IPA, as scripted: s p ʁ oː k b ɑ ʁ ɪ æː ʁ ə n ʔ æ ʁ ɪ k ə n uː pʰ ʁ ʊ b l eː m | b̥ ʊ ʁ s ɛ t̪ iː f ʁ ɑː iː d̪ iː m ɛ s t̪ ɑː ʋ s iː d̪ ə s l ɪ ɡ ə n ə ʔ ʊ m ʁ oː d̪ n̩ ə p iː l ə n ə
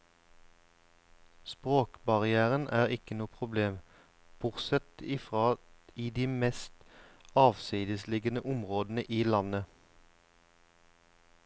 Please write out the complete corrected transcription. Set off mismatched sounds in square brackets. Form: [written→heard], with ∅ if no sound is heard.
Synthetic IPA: s p ʁ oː k b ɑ ʁ ɪ æː ʁ ə n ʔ [æ→æː] ʁ ɪ k ə n uː pʰ ʁ ʊ b l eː m | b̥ ʊ ʁ s ɛ t̪ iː f ʁ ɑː iː d̪ iː m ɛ s t̪ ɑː ʋ s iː d̪ ə s l ɪ ɡ ə n ə ʔ ʊ m ʁ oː d̪ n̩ ə [p→ʔ] iː l [ə→ɑ] n ə